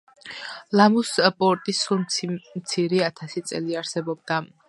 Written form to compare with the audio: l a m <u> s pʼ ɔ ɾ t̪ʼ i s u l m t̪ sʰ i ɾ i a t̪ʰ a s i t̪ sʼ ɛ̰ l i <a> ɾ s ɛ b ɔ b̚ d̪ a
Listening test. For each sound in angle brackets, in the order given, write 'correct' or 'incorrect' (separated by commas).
correct, correct